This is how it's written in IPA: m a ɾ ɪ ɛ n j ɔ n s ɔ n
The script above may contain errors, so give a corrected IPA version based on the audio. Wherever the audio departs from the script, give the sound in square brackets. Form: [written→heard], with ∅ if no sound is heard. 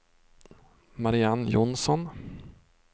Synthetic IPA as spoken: m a ɾ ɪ [ɛ→a] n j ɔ n s ɔ n